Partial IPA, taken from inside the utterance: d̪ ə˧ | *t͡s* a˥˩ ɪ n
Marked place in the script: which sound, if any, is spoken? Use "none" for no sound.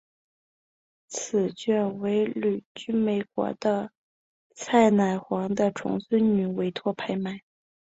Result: t͡sʰ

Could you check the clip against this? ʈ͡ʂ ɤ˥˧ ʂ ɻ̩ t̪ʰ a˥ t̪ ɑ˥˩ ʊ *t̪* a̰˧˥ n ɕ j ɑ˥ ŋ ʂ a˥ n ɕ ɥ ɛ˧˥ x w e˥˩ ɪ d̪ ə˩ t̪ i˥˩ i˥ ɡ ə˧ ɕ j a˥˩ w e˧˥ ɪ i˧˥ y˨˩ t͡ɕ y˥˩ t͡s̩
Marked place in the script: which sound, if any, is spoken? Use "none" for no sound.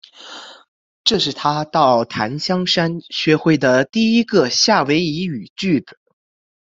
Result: t̪ʰ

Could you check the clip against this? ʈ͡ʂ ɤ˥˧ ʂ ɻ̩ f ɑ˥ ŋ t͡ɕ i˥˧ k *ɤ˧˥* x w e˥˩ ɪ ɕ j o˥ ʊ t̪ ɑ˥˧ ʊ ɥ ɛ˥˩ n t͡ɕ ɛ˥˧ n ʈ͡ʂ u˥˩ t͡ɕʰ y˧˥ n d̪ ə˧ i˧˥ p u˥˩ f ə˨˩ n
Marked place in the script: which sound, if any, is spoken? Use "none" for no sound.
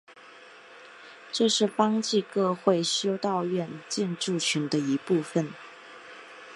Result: ɤ˥˧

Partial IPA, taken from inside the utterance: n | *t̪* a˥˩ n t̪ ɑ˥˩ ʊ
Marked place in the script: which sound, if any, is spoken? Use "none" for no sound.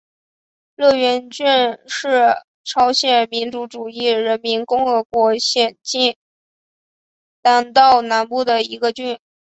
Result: t̪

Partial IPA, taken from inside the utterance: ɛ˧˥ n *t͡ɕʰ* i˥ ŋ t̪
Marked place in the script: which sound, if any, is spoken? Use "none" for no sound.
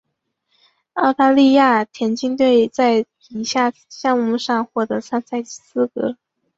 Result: t͡ɕ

